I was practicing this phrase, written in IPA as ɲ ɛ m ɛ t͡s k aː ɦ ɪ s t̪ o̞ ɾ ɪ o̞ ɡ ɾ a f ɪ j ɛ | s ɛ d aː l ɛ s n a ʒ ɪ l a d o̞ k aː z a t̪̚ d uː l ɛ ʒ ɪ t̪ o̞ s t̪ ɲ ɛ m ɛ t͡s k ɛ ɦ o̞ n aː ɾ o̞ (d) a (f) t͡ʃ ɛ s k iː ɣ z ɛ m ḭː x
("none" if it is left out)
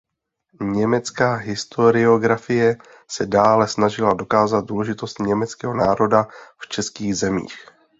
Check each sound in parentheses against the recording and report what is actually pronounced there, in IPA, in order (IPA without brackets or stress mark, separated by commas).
d, f